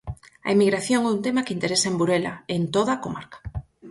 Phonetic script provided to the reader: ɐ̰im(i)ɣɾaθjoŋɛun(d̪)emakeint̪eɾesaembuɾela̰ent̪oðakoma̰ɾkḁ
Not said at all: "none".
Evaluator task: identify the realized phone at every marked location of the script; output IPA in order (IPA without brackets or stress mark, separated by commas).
i, t̪